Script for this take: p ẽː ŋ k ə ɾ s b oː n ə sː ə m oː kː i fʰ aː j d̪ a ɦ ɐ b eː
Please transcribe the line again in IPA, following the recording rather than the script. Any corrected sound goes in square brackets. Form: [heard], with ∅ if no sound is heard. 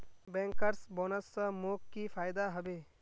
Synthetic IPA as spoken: [b] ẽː ŋ k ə ɾ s b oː n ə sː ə m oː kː i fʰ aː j d̪ a ɦ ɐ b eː